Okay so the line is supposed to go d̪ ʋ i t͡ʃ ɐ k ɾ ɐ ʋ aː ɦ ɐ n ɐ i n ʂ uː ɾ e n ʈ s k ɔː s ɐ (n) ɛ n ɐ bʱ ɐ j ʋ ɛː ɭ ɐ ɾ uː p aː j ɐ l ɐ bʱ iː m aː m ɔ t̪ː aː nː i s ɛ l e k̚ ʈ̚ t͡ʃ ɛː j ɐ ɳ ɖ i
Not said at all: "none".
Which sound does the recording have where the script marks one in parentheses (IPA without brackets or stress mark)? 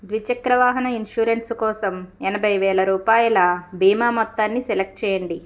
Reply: m